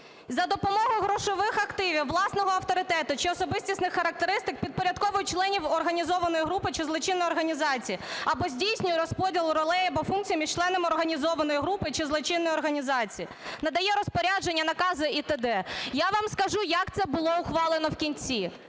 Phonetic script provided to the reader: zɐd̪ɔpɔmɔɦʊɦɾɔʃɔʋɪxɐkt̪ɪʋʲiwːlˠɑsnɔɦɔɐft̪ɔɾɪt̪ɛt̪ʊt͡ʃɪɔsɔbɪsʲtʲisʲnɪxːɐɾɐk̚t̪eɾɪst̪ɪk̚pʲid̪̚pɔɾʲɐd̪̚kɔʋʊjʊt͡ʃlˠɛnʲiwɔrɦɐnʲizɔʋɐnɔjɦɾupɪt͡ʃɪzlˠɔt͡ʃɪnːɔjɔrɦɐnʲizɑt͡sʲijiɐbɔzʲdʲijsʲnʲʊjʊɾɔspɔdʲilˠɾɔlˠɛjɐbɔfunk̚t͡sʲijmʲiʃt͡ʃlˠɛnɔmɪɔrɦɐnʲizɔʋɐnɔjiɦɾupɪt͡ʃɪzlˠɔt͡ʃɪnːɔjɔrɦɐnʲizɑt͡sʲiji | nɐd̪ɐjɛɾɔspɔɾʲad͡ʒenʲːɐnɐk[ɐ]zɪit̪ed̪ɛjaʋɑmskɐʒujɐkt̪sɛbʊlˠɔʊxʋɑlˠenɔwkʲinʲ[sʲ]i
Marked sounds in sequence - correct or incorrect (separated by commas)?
incorrect, incorrect